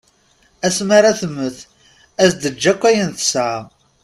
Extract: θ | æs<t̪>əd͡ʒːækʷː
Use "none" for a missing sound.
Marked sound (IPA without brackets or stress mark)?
d̪